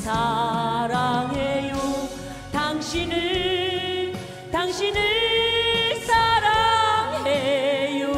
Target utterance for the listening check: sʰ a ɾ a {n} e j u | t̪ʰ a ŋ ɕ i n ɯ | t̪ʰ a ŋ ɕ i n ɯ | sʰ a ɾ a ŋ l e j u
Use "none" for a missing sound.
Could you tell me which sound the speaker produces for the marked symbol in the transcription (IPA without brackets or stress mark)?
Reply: ŋ